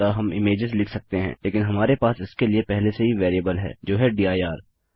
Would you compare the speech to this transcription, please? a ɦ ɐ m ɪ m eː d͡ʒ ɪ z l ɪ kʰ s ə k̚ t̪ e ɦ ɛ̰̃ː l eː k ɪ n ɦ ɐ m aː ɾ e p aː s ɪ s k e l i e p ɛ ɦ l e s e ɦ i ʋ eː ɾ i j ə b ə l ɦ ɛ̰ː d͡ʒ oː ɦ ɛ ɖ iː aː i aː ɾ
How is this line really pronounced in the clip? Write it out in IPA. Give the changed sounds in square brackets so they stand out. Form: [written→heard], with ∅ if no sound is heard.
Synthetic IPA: a ɦ ɐ m ɪ m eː d͡ʒ ɪ z l ɪ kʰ s [ə→ɐ] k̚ t̪ e ɦ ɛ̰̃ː l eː k ɪ n ɦ ɐ m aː ɾ e p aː s ɪ s k e l i e p ɛ ɦ l e s e ɦ i ʋ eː ɾ i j ə b ə l ɦ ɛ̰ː d͡ʒ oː ɦ ɛ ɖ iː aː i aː ɾ